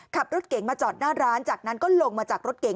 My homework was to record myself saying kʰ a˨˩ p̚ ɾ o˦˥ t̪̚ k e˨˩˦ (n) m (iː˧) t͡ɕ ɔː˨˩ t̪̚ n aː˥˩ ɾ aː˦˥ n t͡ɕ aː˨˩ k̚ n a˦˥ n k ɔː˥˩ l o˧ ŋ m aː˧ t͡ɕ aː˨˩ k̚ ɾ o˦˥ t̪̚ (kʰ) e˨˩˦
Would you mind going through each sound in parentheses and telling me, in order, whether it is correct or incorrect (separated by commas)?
incorrect, incorrect, incorrect